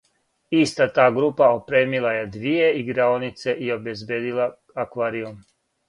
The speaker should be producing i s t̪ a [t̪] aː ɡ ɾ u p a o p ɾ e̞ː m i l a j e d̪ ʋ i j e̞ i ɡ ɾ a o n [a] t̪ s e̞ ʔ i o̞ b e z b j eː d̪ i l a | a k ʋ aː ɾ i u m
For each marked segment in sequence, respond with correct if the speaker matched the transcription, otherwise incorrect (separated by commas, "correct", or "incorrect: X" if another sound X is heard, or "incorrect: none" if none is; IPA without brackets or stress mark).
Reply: correct, incorrect: i